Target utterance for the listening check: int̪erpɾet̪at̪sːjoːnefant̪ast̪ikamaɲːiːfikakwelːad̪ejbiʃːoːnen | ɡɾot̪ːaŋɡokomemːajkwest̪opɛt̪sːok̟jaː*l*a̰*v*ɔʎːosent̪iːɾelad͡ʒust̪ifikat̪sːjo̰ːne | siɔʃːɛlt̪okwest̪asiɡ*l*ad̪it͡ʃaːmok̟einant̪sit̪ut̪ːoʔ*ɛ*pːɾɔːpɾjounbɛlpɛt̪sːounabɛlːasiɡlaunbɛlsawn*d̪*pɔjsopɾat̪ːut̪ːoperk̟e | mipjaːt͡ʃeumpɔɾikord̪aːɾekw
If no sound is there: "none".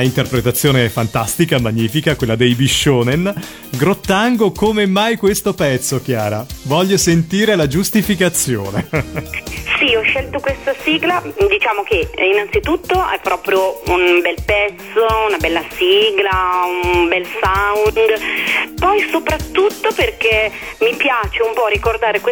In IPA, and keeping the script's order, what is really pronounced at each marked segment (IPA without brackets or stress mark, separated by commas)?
ɾ, v, l, ɛ, d̪